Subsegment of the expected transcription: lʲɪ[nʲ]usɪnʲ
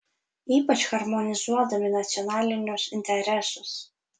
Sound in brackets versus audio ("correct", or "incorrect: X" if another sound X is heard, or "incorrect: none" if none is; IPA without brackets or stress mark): correct